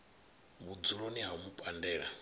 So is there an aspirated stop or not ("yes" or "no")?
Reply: no